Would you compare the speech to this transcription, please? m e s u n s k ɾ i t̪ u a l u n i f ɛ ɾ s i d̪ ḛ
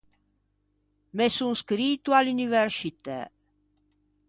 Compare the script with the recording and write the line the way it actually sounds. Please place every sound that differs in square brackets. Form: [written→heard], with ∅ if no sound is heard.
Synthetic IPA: m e s u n s k ɾ i t̪ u a l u n i [f→v] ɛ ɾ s i [d̪→t̪] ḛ